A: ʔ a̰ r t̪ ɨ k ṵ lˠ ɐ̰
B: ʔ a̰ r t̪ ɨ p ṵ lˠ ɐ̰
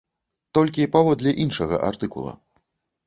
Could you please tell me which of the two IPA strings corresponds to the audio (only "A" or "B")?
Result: A